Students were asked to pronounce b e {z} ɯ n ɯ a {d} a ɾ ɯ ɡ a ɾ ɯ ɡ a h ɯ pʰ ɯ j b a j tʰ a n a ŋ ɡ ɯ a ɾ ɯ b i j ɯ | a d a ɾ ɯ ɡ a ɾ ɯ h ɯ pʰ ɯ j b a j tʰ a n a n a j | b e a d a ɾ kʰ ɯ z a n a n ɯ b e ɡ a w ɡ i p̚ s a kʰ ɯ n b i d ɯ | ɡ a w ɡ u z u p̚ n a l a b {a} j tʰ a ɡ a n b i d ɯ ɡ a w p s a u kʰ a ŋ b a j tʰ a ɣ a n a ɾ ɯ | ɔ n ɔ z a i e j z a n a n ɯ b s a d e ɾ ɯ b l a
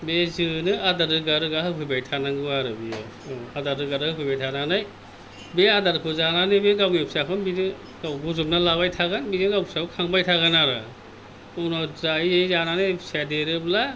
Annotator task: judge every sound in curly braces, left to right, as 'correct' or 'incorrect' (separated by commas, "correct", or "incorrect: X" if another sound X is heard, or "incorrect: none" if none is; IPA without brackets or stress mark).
correct, correct, correct